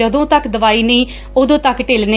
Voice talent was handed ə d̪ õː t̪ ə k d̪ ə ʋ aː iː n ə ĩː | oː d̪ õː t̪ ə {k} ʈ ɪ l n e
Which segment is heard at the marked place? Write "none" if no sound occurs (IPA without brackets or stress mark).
k